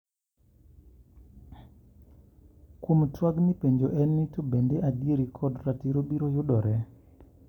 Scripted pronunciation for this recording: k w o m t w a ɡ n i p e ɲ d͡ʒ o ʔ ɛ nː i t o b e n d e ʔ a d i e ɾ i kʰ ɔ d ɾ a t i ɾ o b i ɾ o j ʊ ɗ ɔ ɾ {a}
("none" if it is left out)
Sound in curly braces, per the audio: ɛ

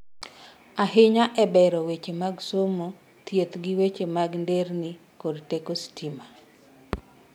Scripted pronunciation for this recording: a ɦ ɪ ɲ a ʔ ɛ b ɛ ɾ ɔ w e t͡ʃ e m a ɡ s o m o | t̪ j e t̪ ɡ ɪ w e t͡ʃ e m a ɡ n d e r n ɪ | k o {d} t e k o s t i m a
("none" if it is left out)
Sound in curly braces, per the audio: d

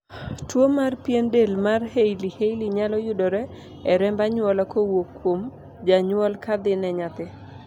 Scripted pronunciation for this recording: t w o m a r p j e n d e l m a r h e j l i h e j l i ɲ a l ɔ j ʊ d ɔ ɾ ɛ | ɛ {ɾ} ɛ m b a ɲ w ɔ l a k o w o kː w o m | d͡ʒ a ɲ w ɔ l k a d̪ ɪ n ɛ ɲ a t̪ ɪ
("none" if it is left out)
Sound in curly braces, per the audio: ɾ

